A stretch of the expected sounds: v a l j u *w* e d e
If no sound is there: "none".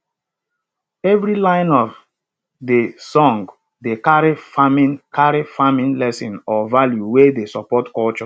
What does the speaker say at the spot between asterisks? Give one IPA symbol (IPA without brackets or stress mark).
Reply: w